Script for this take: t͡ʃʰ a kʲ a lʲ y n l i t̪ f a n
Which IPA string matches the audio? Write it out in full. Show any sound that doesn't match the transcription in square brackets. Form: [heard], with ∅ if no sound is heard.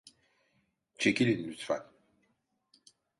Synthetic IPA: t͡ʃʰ [e] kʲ [i] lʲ [i] n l [y] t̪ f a n